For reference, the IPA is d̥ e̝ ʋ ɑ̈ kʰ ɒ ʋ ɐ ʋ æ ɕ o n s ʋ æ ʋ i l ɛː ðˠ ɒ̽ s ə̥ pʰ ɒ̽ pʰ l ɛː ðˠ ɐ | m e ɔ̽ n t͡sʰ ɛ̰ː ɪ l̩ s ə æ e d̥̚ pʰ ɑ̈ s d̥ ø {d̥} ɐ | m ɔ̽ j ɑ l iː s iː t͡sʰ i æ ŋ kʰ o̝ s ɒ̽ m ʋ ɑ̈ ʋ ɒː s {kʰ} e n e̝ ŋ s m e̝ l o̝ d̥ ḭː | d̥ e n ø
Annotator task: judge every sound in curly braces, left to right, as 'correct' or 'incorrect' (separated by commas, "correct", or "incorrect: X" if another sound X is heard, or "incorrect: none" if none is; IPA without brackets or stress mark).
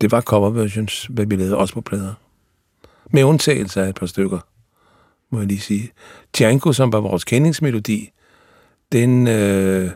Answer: incorrect: ɡ̥, correct